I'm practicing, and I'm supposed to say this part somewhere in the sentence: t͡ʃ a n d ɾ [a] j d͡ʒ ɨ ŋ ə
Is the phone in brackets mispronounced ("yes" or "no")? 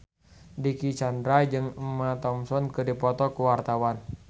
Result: no